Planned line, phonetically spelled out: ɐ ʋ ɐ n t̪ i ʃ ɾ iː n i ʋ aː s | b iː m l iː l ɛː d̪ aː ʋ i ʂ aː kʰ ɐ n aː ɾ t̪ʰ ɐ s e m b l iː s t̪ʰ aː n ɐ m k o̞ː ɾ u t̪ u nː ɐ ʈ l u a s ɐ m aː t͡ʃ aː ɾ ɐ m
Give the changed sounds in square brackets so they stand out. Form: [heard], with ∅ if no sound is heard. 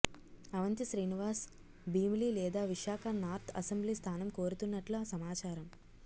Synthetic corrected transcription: ɐ ʋ ɐ n t̪ i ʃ ɾ iː n i ʋ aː s | b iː m l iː l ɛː d̪ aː ʋ i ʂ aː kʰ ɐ n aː ɾ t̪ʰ ɐ s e m b l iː s t̪ʰ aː n ɐ m k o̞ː ɾ u t̪ u nː ɐ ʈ l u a s ɐ m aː t͡ʃ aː ɾ ɐ m